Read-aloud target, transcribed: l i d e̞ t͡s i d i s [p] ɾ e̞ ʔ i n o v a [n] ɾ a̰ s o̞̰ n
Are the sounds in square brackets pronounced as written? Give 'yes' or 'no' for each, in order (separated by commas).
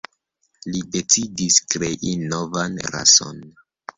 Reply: no, yes